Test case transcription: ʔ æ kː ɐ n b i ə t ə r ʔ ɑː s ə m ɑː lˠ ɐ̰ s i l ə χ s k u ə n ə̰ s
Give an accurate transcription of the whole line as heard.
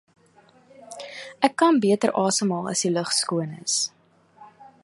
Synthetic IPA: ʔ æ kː ɐ n b i ə t ə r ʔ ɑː s ə m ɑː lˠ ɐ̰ s i l ə χ s k u ə n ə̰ s